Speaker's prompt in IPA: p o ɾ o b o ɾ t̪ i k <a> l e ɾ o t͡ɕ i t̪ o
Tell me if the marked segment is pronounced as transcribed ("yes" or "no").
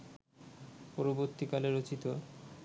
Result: yes